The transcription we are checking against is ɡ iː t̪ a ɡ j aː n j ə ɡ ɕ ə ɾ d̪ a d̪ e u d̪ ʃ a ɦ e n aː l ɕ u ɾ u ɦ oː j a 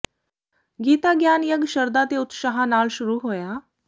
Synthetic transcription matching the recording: ɡ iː t̪ a ɡ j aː n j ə ɡ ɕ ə ɾ d̪ a t̪ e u t̪ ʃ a ɦ a n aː l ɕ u ɾ u ɦ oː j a

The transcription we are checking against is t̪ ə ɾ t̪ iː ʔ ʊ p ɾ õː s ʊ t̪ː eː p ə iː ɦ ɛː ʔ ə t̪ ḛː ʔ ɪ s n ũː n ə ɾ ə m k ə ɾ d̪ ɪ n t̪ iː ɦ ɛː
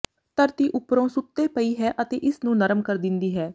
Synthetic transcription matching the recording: t̪ ə ɾ t̪ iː ʔ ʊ p ɾ õː s ʊ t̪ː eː p ə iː ɦ ɛː ʔ ə t̪ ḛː ʔ ɪ s n ũː n ə ɾ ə m k ə ɾ d̪ ɪ n d̪ iː ɦ ɛː

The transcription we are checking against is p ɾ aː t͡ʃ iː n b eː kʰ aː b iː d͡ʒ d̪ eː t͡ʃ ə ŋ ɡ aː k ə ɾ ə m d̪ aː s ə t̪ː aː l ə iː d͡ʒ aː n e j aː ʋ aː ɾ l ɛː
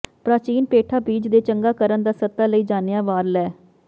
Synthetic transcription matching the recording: p ɾ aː t͡ʃ iː n p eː ʈʰ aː b iː d͡ʒ d̪ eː t͡ʃ ə ŋ ɡ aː k ə ɾ ə n d̪ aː s ə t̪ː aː l ə iː d͡ʒ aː n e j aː ʋ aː ɾ l ɛː

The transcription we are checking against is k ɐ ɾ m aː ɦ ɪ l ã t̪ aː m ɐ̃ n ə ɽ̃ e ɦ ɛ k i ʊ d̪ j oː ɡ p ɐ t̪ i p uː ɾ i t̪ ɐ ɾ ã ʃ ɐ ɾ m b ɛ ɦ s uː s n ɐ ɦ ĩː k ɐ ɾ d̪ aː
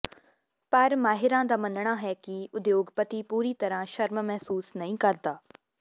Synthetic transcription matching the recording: p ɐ ɾ m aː ɦ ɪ ɾ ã d̪ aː m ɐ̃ n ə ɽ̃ a ɦ ɛ k i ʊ d̪ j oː ɡ p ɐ t̪ i p uː ɾ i t̪ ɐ ɾ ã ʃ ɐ ɾ m m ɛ ɦ s uː s n ɐ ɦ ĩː k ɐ ɾ d̪ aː

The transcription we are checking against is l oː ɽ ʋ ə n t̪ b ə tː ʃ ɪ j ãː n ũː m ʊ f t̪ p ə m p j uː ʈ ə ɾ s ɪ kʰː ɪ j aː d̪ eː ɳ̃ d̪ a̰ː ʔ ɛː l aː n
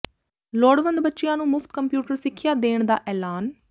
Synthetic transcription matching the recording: l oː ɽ ʋ ə n d̪ b ə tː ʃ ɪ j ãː n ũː m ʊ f t̪ k ə m p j uː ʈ ə ɾ s ɪ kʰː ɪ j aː d̪ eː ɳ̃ d̪ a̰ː ʔ ɛː l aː n

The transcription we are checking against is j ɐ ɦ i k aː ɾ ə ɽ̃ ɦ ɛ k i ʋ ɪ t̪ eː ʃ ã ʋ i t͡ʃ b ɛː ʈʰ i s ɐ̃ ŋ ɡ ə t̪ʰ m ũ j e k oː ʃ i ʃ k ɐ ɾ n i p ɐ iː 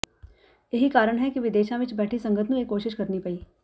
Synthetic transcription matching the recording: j ɐ ɦ i k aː ɾ ə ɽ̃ ɦ ɛ k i ʋ ɪ d̪ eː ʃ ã ʋ ɪ t͡ʃ b ɛː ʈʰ i s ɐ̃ ŋ ɡ ə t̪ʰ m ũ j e k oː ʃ ɪ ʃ k ɐ ɾ n i p ɐ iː

